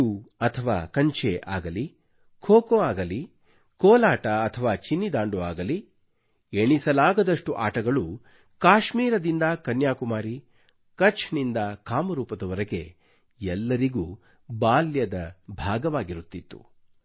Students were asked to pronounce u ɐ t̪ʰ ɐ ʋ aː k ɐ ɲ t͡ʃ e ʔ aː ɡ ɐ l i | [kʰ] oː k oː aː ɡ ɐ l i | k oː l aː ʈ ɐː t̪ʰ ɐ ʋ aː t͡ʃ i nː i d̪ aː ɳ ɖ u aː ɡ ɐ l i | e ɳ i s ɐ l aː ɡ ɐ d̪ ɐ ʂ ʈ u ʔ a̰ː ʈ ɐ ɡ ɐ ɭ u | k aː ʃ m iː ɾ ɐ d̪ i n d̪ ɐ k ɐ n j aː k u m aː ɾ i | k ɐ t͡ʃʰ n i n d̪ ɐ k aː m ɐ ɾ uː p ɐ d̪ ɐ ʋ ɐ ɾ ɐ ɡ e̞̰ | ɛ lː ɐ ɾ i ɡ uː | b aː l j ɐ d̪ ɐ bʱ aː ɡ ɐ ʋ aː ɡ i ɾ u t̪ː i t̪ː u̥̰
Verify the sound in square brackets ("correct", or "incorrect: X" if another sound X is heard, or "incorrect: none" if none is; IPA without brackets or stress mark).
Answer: correct